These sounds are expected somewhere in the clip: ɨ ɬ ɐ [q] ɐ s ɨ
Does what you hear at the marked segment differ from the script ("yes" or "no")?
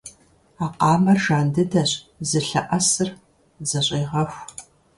yes